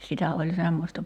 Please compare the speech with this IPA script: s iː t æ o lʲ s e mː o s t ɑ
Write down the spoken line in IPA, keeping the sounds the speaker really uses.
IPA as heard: s i t æ o lʲ s e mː o s t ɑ